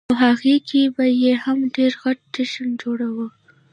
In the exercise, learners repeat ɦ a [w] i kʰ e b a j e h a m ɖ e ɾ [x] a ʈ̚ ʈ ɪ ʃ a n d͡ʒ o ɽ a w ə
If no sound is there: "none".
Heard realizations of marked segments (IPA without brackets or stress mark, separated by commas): ɣ, ɣ